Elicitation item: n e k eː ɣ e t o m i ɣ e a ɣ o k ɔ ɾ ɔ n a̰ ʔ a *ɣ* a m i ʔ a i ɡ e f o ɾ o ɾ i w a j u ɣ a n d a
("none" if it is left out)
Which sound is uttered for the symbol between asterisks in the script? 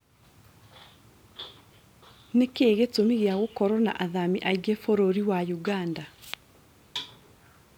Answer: ð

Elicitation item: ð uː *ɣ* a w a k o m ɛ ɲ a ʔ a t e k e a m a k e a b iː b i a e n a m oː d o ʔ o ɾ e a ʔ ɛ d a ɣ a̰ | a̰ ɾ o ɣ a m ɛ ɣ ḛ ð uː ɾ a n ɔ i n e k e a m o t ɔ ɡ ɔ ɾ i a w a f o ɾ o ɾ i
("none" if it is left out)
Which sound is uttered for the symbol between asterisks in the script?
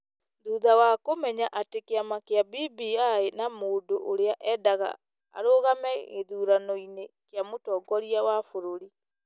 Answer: ð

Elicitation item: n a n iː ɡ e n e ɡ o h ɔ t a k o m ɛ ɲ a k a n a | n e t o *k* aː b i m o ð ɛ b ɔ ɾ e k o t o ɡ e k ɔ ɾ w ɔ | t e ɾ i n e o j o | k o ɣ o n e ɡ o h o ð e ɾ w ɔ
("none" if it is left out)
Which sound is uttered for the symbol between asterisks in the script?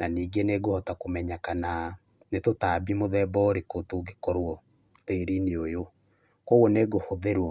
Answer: t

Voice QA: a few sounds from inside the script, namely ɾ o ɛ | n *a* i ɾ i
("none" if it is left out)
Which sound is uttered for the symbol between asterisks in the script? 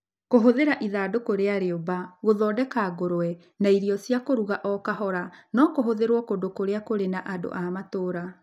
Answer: a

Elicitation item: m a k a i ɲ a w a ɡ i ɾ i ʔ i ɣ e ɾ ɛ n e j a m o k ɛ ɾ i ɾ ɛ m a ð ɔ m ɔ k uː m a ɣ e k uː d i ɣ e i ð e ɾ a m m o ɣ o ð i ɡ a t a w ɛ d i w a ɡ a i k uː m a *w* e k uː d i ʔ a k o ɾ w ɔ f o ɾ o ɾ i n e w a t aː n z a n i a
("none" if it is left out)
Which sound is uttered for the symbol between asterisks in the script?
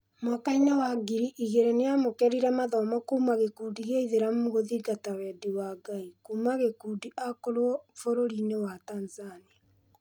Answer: ɣ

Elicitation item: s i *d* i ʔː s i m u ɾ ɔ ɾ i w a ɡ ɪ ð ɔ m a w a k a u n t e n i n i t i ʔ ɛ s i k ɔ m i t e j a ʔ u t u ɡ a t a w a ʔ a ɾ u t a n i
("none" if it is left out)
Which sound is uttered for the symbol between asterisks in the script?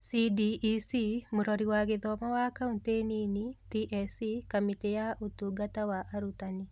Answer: d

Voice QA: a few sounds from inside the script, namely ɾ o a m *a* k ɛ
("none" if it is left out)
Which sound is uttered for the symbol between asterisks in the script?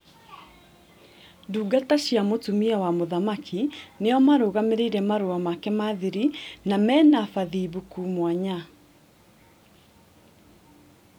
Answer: a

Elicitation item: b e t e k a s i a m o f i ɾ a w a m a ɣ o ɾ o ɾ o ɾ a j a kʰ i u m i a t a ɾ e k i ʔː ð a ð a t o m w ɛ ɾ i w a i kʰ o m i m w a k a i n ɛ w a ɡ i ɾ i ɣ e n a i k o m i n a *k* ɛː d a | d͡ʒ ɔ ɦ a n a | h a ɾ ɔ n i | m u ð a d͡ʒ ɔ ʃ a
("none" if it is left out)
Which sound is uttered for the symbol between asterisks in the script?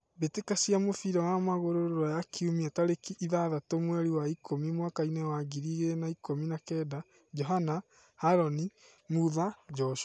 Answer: k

